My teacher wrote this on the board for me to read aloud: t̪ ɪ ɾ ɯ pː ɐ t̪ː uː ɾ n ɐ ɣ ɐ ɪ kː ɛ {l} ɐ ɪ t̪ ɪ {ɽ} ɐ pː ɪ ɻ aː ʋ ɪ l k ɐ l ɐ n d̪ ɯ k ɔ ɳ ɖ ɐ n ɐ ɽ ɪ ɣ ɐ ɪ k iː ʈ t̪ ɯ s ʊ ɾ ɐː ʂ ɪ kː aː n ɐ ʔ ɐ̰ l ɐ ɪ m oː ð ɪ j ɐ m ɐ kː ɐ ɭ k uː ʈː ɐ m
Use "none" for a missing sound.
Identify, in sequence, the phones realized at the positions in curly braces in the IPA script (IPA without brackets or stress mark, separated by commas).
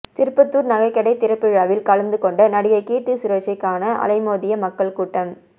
ɽ, ɾ